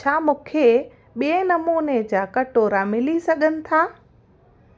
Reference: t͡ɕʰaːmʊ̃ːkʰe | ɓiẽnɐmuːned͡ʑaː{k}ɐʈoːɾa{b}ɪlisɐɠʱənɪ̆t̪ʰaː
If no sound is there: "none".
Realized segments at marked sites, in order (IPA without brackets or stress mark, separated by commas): k, m